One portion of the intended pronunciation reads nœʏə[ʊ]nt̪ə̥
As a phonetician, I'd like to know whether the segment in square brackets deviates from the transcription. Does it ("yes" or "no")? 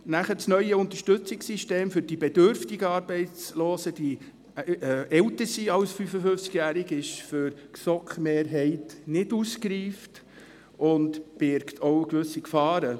no